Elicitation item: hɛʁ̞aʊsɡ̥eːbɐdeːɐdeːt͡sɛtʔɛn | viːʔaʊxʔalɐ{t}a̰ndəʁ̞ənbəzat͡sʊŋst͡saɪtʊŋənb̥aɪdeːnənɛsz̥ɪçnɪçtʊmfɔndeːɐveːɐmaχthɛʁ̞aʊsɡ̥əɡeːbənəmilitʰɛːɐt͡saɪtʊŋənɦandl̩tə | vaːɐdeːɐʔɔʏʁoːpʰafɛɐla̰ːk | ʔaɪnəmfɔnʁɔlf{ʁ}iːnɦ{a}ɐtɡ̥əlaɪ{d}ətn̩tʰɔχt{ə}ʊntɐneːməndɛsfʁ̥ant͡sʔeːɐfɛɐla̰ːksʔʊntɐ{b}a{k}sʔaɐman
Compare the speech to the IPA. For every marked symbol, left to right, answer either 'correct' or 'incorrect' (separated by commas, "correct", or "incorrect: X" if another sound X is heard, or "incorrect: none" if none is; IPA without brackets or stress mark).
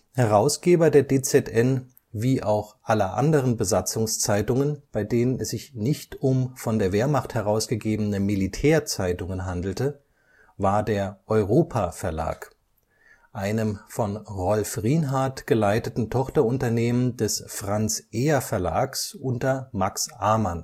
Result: incorrect: ʔ, correct, correct, incorrect: t, incorrect: ɐ, incorrect: m, correct